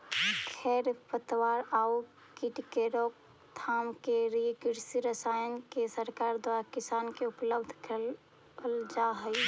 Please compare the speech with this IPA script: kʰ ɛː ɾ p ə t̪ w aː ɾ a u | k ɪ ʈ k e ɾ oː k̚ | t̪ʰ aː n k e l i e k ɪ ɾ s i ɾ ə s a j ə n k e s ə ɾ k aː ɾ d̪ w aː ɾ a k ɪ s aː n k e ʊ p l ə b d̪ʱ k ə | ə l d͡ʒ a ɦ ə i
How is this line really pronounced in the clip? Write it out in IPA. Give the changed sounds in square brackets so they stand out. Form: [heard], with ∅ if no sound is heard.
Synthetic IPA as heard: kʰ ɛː ɾ p ə t̪ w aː ɾ a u | k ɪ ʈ k e ɾ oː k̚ | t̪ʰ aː [m] k e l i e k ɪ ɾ s i ɾ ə s a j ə n k e s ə ɾ k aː ɾ d̪ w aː ɾ a k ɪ s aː n k e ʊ p l ə b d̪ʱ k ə | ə l d͡ʒ a ɦ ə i